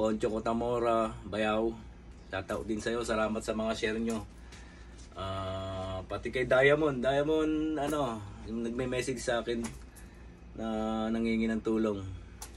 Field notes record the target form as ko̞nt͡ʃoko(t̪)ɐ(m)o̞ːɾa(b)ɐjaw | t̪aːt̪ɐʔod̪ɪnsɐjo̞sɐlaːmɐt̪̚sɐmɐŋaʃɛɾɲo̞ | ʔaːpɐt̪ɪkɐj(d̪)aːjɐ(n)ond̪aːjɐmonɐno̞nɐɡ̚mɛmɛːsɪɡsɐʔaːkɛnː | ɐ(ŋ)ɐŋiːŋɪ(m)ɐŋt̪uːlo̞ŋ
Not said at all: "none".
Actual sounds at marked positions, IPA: t̪, m, b, d̪, m, n, n

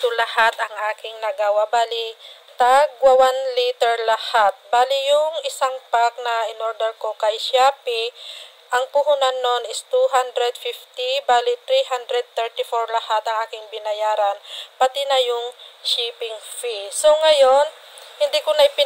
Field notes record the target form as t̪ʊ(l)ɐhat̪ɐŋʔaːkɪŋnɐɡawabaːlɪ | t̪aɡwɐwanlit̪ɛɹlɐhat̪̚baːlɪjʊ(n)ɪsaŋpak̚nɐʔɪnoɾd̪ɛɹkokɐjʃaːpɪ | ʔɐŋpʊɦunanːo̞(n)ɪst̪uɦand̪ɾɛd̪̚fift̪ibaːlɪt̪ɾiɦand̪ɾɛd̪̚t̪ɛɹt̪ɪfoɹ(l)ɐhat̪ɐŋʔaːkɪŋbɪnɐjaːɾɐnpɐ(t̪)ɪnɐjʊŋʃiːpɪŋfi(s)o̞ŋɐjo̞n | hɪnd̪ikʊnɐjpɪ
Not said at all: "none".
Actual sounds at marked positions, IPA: l, ŋ, n, l, t̪, s

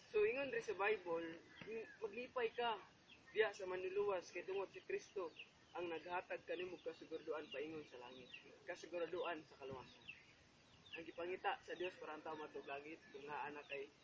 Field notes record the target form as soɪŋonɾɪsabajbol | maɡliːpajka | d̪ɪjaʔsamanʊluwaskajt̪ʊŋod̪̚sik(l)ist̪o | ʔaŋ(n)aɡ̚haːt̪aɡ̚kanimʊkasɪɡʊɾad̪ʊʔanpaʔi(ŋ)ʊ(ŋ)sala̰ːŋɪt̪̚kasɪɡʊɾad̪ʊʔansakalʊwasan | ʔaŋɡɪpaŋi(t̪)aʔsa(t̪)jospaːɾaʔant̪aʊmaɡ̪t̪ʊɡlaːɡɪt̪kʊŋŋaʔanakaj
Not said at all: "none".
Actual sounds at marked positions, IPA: ɾ, n, ŋ, n, t̪, d̪

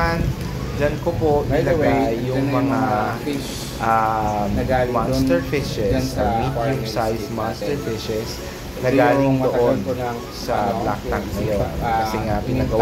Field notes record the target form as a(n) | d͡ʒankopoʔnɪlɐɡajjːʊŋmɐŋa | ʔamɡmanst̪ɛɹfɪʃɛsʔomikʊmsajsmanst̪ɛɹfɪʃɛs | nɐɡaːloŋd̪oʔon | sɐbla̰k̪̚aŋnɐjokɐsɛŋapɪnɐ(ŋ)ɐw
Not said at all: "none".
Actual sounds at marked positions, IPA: n, ɡ

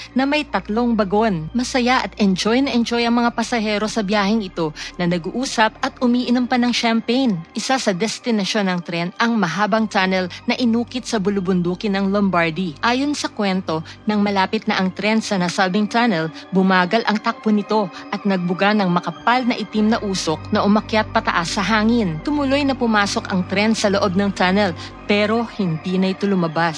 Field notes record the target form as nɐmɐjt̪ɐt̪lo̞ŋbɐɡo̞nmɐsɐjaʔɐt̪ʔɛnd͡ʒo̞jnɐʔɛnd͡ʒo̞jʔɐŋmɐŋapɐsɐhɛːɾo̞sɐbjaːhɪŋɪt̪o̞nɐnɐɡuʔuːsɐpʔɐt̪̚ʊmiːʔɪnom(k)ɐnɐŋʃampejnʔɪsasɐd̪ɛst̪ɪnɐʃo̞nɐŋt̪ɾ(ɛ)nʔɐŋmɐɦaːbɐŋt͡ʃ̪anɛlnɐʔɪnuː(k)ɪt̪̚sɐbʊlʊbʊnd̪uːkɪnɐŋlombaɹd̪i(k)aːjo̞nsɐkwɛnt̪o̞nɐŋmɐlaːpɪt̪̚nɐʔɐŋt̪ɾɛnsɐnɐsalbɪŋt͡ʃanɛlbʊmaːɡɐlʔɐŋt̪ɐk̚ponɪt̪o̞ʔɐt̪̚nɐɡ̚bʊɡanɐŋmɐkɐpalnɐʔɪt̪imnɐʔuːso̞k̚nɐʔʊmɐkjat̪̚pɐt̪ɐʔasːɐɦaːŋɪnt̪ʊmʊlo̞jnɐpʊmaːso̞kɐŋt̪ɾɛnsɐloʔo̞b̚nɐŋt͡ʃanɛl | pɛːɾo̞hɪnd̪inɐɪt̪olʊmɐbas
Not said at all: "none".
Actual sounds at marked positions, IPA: p, ɛ, k, ʔ

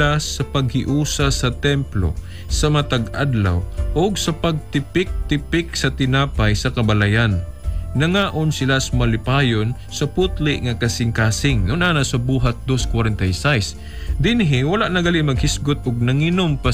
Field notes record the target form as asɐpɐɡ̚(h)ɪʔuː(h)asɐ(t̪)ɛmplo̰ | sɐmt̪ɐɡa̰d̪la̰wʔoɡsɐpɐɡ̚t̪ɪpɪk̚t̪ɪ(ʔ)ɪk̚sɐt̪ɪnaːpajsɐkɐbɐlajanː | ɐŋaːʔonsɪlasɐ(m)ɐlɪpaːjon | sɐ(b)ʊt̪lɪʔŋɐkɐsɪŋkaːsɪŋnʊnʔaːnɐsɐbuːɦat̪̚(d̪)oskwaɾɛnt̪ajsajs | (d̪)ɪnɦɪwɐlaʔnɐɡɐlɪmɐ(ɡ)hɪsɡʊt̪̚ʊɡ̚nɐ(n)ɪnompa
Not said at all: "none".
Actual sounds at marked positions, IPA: h, s, t̪, p, m, p, d̪, d̪, ɡ, ŋ

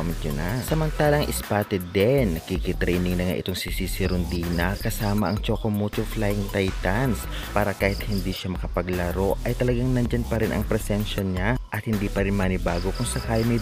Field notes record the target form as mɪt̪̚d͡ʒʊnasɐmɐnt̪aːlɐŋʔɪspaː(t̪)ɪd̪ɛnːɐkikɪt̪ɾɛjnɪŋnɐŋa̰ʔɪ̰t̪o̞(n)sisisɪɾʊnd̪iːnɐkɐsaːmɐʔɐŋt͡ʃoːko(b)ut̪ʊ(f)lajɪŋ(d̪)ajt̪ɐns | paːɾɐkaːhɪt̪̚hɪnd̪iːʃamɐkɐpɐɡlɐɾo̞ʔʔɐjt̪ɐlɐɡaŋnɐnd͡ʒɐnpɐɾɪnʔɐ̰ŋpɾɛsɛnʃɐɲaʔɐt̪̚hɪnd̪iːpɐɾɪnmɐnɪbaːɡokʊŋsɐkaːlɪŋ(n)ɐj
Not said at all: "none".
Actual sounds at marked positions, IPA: t̪, ŋ, m, f, t̪, m

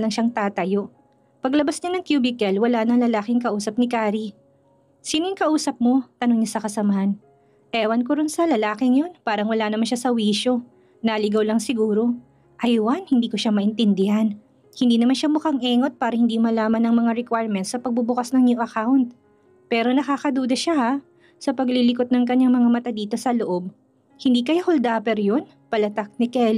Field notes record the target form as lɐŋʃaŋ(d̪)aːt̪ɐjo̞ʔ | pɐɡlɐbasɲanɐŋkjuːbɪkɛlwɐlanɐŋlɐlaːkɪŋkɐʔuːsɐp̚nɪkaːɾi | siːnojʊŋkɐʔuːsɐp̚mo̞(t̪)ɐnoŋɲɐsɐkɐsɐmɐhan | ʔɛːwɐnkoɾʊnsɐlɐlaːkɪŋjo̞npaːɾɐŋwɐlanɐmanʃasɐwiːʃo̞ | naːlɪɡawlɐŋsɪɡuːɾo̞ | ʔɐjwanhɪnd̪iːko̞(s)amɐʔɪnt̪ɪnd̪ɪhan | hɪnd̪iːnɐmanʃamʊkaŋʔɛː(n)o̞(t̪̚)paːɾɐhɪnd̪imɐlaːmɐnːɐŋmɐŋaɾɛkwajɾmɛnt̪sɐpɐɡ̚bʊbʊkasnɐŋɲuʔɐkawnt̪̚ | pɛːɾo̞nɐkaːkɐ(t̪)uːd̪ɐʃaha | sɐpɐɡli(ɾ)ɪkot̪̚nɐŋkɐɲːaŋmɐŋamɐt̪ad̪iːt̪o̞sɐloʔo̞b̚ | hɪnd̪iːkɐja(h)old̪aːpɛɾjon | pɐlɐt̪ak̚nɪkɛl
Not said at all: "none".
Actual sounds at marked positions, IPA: t̪, t̪, ʃ, ŋ, t̪̚, d̪, l, h

